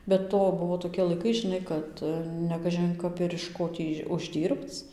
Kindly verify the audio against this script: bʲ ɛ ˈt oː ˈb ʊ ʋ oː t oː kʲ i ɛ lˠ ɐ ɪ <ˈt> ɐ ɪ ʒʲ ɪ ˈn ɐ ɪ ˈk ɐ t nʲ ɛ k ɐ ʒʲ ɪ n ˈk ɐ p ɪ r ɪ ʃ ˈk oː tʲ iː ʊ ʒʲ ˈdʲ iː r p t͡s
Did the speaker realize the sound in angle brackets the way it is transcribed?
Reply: no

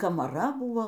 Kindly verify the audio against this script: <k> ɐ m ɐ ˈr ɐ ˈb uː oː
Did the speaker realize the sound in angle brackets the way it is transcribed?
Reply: yes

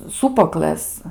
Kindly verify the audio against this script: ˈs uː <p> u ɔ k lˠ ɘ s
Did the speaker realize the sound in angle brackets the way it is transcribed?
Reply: yes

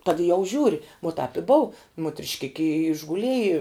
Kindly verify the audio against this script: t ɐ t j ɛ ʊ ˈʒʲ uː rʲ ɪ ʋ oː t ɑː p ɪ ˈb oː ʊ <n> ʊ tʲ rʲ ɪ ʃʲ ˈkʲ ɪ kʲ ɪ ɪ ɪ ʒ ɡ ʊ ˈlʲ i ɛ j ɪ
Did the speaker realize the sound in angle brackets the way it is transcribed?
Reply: no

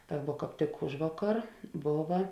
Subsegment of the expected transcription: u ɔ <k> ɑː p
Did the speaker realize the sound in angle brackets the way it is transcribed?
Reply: yes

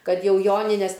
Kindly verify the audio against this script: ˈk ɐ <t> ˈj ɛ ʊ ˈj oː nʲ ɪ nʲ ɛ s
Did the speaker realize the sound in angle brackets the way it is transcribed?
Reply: yes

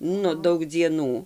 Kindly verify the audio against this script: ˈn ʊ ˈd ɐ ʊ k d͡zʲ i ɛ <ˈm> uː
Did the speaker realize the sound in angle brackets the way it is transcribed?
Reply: no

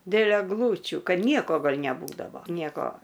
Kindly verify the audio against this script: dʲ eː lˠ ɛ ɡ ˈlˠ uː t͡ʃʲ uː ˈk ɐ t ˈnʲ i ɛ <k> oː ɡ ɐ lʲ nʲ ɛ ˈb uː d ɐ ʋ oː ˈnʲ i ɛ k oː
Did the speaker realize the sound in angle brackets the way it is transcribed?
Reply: yes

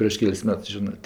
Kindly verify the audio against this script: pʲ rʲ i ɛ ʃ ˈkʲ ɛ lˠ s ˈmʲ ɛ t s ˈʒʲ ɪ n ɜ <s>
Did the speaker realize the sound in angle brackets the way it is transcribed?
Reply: no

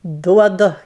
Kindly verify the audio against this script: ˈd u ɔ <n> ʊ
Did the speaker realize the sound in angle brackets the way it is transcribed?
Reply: no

